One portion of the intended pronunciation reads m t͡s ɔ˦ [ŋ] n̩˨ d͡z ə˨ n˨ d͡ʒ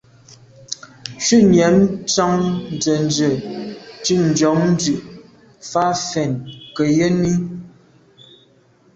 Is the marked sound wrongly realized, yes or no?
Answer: no